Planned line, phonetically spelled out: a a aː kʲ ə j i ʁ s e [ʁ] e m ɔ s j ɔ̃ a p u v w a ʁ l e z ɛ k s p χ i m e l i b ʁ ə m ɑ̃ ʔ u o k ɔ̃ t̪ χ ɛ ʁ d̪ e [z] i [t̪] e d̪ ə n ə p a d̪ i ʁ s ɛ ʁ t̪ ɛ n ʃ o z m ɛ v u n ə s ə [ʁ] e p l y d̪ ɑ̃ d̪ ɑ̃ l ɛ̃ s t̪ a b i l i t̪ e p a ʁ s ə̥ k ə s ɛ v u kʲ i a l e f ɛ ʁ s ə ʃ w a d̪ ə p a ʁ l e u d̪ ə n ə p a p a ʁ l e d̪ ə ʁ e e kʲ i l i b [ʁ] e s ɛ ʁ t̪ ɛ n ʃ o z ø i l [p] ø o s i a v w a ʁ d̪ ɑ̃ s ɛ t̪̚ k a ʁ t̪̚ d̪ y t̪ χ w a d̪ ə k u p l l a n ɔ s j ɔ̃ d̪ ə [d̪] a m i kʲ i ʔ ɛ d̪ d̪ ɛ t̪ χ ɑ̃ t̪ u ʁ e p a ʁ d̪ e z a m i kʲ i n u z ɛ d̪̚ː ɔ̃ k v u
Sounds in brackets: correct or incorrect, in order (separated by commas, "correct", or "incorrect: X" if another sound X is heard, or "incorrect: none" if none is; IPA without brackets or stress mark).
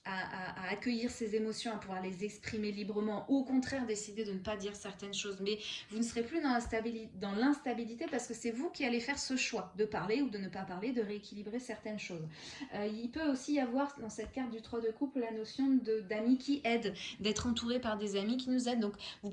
incorrect: z, incorrect: s, incorrect: d̪, correct, correct, correct, correct